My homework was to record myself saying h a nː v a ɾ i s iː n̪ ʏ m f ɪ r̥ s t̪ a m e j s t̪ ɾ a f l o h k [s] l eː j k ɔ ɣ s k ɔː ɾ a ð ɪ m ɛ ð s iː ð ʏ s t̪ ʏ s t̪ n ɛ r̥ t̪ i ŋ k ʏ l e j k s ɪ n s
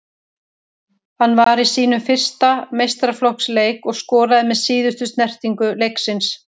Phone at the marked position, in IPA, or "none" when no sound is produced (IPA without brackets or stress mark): s